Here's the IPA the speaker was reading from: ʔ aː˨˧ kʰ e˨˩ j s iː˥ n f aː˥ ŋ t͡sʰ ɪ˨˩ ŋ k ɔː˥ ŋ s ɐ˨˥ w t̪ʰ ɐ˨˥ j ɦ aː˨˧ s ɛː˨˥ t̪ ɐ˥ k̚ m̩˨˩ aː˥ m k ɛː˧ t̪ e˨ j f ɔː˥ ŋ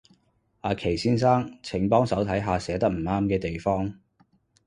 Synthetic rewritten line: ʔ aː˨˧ kʰ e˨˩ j s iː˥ n s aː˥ ŋ t͡sʰ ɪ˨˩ ŋ p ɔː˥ ŋ s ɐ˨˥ w t̪ʰ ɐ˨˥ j ɦ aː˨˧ s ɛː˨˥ t̪ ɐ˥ k̚ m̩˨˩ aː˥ m k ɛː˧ t̪ e˨ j f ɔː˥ ŋ